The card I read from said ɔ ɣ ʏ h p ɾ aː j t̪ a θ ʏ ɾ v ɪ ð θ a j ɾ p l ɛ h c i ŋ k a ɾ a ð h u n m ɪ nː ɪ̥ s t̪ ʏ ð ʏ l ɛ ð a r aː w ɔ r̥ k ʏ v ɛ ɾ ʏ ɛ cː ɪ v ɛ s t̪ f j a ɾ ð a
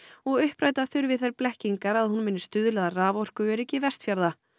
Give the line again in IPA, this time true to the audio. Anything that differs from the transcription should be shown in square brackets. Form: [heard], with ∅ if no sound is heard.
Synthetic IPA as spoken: ɔ ɣ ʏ h p ɾ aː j t̪ a θ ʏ ɾ v ɪ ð θ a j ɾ p l ɛ h c i ŋ k a ɾ a ð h u n m ɪ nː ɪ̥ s t̪ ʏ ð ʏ l ɛ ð a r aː [v] ɔ r̥ k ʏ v ɛ ɾ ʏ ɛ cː ɪ v ɛ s t̪ f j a ɾ ð a